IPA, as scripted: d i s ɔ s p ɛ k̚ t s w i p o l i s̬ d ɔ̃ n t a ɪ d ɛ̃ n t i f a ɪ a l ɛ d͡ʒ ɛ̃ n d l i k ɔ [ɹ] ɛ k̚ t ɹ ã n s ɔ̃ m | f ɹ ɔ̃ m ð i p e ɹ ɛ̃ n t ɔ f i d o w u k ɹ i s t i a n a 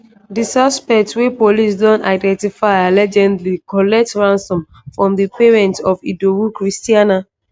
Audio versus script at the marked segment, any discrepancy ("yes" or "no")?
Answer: yes